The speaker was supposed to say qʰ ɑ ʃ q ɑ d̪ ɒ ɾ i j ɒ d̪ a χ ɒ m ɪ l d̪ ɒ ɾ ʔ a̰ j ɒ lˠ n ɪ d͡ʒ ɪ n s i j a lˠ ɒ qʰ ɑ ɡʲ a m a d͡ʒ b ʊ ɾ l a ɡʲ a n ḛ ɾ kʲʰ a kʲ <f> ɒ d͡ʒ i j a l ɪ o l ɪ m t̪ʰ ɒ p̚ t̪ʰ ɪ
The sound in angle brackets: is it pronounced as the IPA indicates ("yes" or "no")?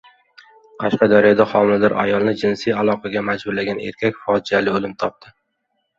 yes